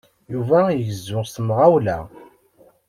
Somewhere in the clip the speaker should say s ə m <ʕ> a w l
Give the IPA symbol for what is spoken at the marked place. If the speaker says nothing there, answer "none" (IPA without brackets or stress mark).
ʁ